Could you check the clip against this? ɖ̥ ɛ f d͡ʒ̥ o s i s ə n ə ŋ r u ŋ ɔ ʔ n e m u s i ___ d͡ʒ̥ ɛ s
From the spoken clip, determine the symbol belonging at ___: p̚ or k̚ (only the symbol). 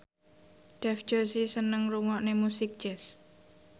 k̚